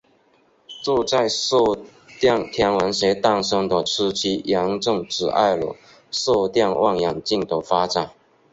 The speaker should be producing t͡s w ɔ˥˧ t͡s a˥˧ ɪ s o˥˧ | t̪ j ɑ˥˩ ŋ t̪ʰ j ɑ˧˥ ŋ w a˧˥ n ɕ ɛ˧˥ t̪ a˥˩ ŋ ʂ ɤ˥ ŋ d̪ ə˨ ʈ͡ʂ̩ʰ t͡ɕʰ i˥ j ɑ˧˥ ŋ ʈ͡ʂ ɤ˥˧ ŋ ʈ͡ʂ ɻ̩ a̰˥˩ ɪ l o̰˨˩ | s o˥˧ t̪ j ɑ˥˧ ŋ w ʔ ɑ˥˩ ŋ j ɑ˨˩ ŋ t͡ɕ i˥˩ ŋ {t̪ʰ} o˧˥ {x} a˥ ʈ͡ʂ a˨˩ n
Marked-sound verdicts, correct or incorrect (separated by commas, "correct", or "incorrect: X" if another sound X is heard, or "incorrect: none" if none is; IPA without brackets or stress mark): incorrect: t̪, incorrect: f